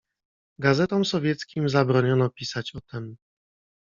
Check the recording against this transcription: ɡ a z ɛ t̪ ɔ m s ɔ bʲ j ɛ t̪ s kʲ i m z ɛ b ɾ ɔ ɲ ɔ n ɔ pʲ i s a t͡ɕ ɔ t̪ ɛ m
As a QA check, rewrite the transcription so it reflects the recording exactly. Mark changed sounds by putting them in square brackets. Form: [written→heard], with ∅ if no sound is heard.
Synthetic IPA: ɡ a z ɛ t̪ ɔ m s ɔ [bʲ→vʲ] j ɛ t̪ s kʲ i m z [ɛ→a] b ɾ ɔ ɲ ɔ n ɔ pʲ i s a t͡ɕ ɔ t̪ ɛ m